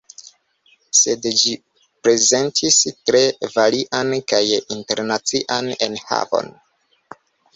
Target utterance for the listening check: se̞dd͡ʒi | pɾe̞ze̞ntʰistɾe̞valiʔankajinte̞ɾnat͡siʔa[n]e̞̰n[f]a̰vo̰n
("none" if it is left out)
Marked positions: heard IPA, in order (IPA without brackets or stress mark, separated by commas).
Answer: n, h